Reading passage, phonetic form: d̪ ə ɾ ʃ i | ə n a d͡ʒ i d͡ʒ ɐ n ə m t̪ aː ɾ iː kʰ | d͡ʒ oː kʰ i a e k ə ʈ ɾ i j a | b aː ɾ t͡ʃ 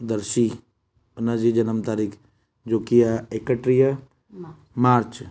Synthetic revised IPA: d̪ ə ɾ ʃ i | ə n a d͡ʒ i d͡ʒ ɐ n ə m t̪ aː ɾ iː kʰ | d͡ʒ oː k i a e k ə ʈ ɾ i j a | m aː ɾ t͡ʃ